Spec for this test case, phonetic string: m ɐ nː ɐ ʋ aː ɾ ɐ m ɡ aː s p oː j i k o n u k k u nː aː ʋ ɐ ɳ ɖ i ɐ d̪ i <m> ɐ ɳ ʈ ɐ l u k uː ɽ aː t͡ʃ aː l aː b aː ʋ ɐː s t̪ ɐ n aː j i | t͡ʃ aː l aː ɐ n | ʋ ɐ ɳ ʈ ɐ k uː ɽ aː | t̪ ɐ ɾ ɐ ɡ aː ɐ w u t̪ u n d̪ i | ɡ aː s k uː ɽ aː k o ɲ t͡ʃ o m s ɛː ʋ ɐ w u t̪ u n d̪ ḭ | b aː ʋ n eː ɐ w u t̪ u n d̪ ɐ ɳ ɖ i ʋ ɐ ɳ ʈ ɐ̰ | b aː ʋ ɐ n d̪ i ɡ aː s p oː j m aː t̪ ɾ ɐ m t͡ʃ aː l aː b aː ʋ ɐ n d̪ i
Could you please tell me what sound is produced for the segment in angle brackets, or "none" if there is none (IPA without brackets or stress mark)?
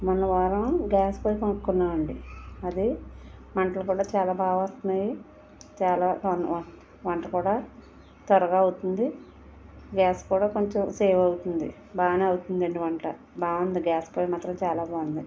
m